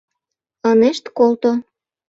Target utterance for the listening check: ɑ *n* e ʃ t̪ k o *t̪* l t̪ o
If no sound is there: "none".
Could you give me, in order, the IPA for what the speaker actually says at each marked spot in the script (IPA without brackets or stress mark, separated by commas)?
n, none